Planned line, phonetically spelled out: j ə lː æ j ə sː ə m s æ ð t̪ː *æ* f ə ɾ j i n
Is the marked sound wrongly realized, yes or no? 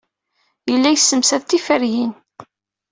yes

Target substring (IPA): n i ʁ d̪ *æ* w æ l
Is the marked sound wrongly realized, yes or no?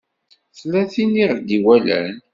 yes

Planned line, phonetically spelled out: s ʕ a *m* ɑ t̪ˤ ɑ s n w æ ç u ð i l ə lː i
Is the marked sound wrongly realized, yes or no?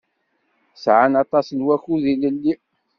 yes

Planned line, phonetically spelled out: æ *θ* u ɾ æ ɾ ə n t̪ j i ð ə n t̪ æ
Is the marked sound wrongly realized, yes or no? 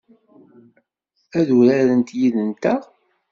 yes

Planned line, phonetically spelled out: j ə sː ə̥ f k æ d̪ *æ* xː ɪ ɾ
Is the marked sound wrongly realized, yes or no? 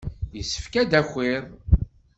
no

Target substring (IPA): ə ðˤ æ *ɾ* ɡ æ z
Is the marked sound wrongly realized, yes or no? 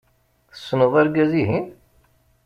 no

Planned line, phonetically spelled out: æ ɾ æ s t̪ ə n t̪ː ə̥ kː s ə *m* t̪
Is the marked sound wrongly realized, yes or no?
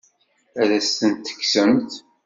no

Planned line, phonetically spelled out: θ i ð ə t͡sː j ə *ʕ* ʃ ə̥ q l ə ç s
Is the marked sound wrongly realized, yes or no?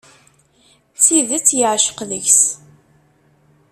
no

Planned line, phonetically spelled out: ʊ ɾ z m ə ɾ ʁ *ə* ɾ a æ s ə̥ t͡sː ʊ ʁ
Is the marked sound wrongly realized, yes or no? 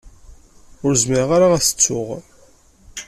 yes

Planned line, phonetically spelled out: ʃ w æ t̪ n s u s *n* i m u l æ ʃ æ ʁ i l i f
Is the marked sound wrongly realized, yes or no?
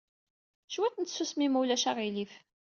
yes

